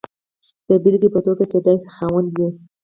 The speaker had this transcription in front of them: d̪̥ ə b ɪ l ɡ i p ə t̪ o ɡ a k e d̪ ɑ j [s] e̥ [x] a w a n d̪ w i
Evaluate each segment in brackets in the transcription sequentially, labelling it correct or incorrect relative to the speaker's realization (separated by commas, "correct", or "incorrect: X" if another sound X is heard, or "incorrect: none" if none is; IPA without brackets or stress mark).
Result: correct, correct